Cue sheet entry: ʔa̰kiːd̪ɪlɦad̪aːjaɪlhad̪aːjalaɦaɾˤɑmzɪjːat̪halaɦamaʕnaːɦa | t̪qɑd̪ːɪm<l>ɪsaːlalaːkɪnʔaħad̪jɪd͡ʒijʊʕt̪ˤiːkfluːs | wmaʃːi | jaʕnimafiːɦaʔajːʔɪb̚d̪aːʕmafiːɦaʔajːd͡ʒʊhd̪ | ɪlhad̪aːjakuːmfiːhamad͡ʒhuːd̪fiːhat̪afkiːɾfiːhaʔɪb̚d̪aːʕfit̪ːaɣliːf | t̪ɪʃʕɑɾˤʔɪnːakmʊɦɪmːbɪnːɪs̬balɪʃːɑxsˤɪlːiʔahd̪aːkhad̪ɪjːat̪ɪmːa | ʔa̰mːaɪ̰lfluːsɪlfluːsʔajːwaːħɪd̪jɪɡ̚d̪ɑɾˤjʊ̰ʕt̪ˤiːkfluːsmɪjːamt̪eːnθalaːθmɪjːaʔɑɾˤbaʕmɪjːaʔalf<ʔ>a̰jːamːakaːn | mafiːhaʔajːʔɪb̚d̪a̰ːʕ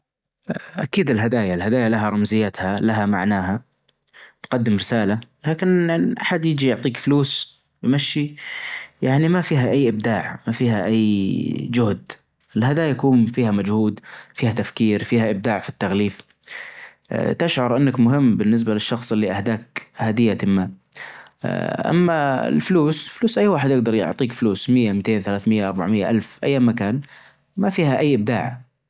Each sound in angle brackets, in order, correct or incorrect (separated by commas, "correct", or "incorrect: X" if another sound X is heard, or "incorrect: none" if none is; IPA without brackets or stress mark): incorrect: ɾ, correct